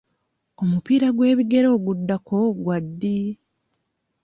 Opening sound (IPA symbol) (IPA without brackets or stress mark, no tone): o̞